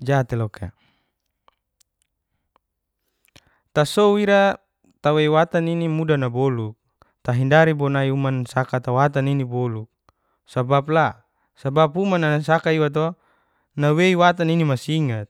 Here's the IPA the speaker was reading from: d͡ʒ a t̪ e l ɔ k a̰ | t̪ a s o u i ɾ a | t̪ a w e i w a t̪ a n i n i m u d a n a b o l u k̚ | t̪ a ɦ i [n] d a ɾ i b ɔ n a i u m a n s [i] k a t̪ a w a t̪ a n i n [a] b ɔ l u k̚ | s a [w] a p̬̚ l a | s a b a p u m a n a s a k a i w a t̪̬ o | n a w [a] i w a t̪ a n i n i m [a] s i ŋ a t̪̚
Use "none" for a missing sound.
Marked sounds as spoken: n, a, i, b, e, a

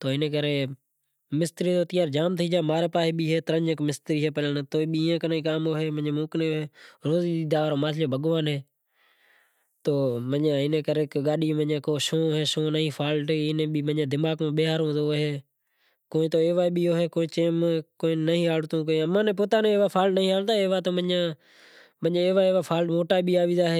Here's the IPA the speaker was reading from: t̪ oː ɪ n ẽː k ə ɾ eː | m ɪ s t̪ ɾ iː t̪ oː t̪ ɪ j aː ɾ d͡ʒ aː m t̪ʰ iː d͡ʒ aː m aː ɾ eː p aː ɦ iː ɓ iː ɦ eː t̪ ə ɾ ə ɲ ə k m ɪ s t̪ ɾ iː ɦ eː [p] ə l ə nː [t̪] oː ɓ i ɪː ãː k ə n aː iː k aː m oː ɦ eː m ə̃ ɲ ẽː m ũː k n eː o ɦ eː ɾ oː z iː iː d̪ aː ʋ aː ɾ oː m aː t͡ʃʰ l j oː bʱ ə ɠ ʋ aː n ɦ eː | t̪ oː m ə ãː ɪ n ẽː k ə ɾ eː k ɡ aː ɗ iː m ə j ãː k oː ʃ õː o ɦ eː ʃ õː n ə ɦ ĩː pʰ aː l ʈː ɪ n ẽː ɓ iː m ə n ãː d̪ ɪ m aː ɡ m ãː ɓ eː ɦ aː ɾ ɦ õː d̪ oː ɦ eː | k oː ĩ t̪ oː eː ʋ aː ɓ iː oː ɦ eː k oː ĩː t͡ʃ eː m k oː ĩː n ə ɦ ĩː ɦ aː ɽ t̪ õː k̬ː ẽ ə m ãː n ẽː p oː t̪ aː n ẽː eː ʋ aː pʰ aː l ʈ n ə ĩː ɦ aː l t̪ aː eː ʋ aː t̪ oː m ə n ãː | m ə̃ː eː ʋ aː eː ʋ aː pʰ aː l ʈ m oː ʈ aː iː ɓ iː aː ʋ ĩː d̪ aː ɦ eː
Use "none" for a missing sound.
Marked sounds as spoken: p, t̪

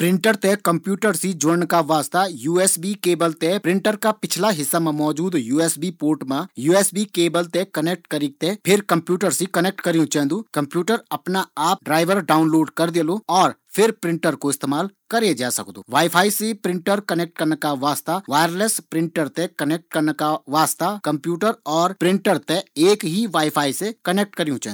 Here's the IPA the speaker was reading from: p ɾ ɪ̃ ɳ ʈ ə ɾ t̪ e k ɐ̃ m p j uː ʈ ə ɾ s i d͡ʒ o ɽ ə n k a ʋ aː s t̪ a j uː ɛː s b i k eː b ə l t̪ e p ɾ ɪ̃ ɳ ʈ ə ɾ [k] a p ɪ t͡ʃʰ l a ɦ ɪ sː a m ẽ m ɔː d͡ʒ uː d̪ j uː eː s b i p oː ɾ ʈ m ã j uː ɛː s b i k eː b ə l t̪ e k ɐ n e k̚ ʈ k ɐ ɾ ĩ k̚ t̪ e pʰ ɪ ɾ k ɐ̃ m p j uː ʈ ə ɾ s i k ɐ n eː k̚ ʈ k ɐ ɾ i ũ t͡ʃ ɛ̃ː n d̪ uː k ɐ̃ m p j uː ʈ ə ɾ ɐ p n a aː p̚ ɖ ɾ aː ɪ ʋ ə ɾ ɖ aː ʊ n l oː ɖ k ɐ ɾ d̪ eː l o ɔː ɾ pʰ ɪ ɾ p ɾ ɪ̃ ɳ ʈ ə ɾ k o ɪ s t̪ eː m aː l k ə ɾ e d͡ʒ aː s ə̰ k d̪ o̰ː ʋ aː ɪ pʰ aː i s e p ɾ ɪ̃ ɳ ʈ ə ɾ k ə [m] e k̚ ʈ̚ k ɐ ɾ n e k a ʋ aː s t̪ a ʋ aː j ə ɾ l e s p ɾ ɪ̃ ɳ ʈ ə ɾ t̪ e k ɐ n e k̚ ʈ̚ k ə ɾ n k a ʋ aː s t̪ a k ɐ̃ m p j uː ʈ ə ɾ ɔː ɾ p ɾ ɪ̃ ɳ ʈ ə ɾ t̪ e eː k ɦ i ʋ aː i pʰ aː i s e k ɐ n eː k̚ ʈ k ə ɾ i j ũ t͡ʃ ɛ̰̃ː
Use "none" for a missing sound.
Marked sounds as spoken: k, n

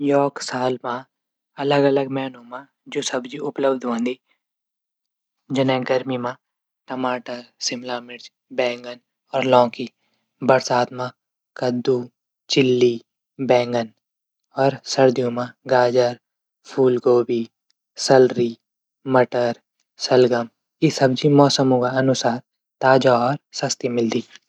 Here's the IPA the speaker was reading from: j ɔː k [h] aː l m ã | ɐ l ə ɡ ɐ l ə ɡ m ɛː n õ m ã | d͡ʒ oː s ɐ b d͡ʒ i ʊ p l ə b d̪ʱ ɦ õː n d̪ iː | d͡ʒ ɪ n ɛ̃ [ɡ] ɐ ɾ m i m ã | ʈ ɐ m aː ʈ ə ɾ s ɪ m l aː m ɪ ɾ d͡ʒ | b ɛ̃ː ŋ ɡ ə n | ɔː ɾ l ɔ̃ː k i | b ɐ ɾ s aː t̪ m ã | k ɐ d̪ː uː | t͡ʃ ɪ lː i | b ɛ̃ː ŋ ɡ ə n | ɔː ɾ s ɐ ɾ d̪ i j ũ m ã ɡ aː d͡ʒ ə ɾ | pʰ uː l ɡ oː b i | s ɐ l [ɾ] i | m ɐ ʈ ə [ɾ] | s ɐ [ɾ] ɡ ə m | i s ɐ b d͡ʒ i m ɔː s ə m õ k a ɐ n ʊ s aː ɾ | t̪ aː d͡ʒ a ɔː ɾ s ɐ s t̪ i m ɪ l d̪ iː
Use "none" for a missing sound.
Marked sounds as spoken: s, ɡ, ɾ, ɾ, l

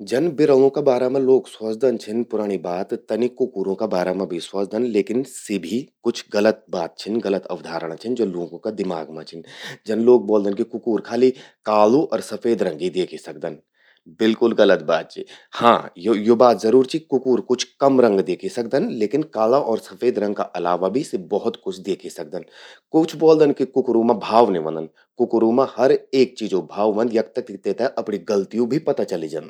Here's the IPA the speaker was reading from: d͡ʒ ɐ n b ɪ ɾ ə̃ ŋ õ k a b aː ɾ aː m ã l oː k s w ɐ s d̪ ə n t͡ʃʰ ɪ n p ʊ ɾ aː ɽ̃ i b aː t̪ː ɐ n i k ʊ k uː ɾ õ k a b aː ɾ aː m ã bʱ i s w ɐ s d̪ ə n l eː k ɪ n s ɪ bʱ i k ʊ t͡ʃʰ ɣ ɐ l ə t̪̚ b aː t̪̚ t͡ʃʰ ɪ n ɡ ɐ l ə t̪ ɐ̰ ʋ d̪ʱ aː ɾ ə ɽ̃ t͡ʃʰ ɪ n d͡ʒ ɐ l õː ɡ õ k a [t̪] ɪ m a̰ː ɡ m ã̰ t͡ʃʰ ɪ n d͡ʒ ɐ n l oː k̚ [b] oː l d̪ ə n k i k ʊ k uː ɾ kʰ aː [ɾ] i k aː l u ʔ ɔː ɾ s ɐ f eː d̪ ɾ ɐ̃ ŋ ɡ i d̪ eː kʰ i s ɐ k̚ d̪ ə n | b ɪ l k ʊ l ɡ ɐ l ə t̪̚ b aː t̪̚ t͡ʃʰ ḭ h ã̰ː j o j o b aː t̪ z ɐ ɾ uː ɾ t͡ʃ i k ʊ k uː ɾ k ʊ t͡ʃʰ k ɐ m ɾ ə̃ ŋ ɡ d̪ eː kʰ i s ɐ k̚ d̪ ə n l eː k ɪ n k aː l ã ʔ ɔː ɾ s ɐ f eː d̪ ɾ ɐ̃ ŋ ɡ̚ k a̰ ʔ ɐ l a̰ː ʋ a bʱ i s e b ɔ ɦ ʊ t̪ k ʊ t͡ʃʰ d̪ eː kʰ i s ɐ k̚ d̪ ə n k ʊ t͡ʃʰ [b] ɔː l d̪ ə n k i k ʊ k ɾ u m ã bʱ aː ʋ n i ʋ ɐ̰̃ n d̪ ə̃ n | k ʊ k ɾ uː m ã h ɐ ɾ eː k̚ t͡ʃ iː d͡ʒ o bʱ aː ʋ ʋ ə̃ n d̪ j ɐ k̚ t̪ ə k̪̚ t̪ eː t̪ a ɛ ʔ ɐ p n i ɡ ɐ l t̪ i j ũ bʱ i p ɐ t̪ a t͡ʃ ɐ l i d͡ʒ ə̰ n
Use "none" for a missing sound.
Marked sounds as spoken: d̪, b, l, b

